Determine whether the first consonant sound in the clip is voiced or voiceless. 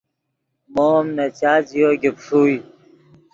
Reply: voiced